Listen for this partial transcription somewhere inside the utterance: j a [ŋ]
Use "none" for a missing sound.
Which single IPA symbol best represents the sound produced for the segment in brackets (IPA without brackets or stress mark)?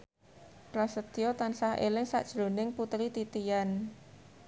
n